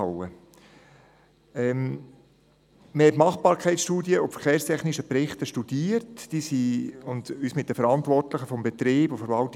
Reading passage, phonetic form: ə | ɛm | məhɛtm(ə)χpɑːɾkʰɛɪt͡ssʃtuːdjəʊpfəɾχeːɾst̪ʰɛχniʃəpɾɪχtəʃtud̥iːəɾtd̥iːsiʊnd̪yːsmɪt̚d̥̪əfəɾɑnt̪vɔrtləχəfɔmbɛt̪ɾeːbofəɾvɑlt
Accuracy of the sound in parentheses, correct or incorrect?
incorrect